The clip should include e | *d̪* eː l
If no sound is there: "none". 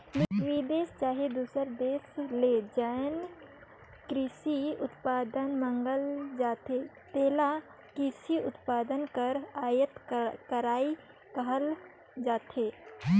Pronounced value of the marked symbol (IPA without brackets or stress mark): t̪